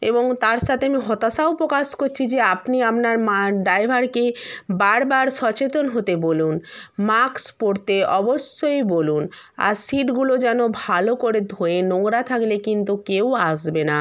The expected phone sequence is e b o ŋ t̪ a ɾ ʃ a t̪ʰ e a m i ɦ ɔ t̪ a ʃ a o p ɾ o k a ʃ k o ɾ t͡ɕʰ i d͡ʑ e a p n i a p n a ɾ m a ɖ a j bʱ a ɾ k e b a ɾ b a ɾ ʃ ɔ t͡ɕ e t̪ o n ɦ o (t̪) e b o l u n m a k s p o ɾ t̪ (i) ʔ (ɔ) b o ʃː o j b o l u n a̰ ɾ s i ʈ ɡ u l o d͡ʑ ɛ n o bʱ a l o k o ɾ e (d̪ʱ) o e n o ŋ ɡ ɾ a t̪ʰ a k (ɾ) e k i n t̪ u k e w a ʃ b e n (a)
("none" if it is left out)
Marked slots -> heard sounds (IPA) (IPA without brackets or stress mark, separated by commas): t̪, e, ɔ, d̪ʱ, l, a